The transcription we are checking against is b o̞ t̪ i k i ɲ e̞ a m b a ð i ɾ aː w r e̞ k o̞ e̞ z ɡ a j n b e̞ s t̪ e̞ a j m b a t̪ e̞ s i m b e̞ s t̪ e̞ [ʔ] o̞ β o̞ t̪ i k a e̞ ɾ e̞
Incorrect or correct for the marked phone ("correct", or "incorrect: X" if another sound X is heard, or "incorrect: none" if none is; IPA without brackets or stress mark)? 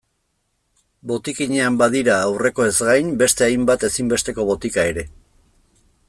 incorrect: k